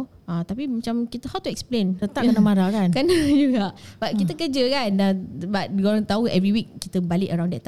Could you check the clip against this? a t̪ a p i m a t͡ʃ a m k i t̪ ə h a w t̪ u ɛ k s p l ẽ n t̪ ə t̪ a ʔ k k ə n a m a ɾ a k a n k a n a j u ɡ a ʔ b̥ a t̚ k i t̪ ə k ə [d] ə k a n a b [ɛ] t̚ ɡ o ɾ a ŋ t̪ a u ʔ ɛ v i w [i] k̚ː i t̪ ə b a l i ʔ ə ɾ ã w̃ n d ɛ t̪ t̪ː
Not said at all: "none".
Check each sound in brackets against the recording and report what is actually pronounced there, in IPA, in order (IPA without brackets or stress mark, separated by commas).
d͡ʒ, a, i